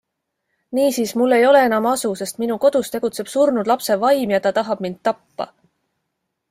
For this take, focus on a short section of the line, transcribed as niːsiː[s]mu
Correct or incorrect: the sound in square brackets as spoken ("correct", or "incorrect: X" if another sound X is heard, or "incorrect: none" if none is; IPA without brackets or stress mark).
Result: correct